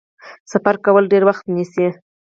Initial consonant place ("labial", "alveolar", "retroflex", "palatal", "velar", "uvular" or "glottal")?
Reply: alveolar